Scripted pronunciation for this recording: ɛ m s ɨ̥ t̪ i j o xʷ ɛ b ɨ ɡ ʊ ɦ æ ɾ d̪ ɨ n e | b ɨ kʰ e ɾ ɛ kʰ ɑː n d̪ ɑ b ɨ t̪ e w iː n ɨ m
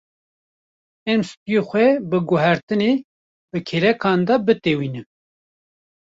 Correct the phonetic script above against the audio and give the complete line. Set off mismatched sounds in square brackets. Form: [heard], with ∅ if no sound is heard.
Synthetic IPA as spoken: ɛ m s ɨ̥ t̪ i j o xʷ ɛ b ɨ ɡ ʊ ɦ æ ɾ [t̪] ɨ n e | b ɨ kʰ e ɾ ɛ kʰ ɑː n d̪ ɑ b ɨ t̪ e w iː n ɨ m